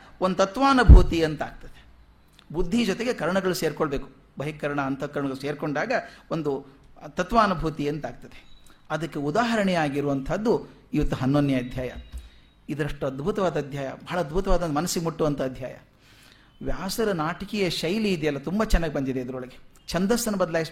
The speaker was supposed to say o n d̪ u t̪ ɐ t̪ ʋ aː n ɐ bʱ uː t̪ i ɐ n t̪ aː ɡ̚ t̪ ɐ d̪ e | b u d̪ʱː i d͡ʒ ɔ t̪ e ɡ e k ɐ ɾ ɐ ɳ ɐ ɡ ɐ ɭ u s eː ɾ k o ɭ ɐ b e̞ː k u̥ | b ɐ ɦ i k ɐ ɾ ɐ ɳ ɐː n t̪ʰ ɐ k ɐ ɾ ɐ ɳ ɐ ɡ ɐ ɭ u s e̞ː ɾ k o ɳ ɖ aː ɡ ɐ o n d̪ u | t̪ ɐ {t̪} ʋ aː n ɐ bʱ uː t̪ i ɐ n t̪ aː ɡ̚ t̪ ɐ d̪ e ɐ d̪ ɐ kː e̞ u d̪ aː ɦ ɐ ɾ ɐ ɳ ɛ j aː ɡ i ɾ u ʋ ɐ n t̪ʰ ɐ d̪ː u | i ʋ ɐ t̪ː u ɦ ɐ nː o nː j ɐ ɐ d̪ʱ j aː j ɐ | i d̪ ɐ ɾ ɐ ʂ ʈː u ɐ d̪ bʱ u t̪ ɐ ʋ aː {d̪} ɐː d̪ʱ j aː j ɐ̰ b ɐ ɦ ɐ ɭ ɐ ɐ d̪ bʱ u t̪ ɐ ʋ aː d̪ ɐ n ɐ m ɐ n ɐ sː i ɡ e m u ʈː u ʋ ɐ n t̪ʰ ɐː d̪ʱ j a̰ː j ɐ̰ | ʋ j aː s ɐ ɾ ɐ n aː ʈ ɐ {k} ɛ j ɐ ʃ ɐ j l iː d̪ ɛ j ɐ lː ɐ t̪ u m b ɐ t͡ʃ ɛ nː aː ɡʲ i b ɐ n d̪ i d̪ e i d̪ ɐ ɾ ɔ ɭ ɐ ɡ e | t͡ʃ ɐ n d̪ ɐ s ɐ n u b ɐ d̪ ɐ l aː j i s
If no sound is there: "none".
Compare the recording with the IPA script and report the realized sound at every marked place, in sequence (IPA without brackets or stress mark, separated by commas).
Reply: t̪, d̪, k